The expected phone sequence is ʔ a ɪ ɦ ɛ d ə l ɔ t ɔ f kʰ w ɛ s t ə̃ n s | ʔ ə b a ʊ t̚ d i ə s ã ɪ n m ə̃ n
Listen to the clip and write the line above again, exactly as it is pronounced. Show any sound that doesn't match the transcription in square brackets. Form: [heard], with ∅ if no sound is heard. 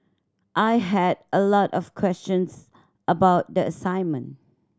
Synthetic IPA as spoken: ʔ a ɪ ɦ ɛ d ə l ɔ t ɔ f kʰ w ɛ s [t͡ʃ] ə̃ n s | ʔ ə b a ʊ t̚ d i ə s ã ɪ n m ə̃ n

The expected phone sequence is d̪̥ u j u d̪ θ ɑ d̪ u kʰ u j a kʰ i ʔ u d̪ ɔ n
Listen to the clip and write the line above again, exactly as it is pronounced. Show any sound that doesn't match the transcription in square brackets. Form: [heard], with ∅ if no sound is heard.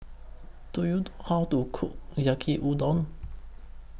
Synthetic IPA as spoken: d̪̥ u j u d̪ [h] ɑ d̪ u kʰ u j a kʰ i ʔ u d̪ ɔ n

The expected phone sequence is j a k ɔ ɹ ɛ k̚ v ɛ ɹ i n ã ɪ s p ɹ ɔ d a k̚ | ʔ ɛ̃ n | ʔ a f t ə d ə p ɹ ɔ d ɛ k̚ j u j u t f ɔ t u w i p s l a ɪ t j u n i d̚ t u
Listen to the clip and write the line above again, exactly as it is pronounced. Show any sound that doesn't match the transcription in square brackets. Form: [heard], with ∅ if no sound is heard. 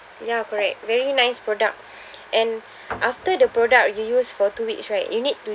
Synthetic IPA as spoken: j a k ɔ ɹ ɛ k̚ v ɛ ɹ i n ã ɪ s p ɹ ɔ d a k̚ | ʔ ɛ̃ n | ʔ a f t ə d ə p ɹ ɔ d [a] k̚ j u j u [s] f ɔ t u w i [k] s [ɹ] a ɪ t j u n i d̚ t u

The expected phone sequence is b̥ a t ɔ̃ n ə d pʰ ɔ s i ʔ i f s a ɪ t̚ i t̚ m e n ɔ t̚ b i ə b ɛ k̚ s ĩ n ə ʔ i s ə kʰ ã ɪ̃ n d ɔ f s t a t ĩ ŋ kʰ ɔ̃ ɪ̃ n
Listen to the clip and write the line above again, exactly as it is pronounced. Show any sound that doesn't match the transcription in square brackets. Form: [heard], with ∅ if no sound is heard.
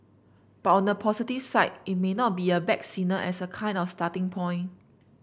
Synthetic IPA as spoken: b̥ a t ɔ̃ n ə [∅] pʰ ɔ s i [t] i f s a ɪ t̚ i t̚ m e n ɔ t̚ b i ə b ɛ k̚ s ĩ n ə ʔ [ɛ] s ə kʰ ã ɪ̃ n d ɔ f s t a t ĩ ŋ [pʰ] ɔ̃ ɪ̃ n

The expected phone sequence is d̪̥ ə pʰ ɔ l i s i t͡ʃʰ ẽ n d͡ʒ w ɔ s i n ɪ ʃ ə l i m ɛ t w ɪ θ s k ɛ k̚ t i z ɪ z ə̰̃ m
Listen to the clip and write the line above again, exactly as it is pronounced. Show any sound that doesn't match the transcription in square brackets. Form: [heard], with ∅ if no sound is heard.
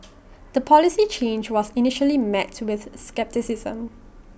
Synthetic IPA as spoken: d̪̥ ə pʰ ɔ l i s i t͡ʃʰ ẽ n d͡ʒ w ɔ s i n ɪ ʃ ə l i m ɛ t w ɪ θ s k ɛ [p̚] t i [s] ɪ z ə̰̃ m

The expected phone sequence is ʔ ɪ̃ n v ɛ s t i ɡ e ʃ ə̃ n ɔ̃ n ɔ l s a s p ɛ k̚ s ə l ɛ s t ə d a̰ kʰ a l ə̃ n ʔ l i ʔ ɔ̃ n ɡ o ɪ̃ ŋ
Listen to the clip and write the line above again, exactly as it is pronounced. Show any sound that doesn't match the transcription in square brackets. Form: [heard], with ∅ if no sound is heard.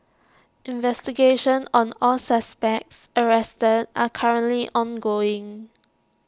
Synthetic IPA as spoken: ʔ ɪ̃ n v ɛ s t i ɡ e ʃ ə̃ n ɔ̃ n ɔ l s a s p ɛ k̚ s ə [ɹ] ɛ s t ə d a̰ kʰ a [ɹ] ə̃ n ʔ l i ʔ ɔ̃ n ɡ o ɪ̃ ŋ

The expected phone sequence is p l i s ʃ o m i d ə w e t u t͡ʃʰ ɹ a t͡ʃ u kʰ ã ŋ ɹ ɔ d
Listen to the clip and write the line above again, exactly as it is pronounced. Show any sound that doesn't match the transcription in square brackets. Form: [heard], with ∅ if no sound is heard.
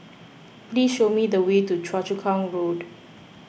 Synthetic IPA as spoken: p l i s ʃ o m i d ə w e t u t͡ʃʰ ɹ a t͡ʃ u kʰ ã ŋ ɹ [o] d

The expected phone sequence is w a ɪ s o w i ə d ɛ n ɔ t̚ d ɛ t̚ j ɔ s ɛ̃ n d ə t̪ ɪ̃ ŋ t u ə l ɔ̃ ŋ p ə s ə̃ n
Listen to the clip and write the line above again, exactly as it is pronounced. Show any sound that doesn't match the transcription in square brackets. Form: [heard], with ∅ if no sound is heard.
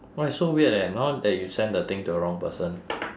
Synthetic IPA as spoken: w a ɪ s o w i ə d ɛ n ɔ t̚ d ɛ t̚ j [u] s ɛ̃ n d ə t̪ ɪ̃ ŋ t u ə [ɹ] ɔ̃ ŋ p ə s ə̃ n

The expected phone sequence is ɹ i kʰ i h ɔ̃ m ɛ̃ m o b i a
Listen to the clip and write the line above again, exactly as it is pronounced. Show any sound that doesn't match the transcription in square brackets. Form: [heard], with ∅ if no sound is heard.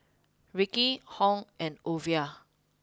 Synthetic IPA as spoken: ɹ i [k] i h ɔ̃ [ŋ] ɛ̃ [n] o [v] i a

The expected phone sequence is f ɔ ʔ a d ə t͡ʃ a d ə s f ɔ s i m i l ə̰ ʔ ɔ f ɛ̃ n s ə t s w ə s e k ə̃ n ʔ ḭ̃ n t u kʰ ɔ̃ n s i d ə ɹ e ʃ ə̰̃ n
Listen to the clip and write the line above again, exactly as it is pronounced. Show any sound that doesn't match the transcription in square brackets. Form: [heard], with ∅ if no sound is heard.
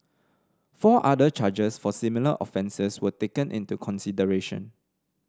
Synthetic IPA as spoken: f ɔ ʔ a d ə t͡ʃ a [d͡ʒ] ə s f ɔ s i m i l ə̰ ʔ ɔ f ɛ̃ n s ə [∅] s w ə [t] e k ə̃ n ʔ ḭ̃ n t u kʰ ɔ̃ n s i d ə ɹ e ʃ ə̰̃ n

